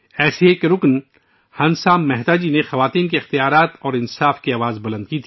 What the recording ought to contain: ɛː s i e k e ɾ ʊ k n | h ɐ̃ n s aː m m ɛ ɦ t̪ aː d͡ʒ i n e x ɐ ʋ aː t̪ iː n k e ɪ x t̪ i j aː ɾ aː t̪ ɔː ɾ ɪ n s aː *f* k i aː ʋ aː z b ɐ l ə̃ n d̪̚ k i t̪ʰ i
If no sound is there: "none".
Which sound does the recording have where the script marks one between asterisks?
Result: f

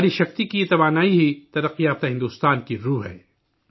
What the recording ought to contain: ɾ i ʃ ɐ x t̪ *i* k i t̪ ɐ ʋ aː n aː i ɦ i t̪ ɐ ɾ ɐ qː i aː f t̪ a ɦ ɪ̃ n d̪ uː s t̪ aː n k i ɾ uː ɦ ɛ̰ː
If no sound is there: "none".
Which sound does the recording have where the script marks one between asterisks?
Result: i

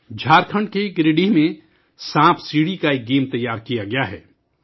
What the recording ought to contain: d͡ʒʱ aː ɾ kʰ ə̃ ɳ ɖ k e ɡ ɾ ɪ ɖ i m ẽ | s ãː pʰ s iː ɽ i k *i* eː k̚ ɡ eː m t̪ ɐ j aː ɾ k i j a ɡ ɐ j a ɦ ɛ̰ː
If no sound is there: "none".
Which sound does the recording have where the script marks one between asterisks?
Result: a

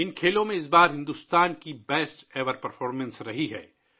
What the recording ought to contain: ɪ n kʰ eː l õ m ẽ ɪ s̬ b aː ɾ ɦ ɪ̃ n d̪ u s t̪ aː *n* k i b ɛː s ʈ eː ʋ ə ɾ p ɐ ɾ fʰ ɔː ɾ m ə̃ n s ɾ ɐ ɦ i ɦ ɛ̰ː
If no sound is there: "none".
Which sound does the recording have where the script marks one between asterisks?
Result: n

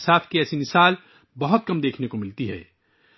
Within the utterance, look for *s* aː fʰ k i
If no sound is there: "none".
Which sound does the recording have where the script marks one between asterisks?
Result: s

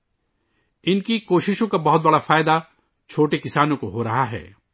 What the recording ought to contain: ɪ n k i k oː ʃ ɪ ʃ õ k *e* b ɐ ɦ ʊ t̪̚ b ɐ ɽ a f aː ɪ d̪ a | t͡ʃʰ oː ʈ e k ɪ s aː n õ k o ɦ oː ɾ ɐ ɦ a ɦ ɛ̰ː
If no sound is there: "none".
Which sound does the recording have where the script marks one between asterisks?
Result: a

